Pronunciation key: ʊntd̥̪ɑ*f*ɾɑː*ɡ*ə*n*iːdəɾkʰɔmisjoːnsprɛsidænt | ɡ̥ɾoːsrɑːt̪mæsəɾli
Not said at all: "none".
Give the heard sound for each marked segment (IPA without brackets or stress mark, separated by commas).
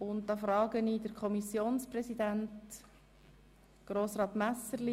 f, ɡ, n